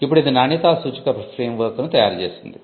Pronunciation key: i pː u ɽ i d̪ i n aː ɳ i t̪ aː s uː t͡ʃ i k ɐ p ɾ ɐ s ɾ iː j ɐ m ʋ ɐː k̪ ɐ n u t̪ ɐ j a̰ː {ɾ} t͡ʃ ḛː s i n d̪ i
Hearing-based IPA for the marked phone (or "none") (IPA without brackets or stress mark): ɾ